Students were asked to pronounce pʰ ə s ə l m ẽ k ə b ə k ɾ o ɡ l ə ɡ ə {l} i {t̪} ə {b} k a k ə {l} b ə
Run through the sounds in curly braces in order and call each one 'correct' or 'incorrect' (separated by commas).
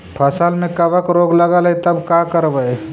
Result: correct, correct, correct, incorrect